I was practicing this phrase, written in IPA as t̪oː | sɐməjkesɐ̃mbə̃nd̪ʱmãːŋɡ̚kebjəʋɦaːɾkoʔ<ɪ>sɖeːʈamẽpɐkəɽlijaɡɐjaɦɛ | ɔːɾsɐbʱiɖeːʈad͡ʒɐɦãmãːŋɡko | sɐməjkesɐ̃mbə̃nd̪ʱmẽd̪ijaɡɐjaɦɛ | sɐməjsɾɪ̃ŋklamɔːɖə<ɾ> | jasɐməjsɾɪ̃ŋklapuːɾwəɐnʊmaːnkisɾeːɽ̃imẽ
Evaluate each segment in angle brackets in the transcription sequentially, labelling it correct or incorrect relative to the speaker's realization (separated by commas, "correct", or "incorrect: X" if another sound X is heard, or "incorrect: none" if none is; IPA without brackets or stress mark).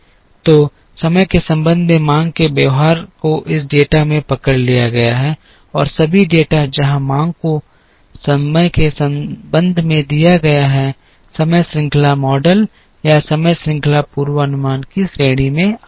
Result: correct, incorrect: l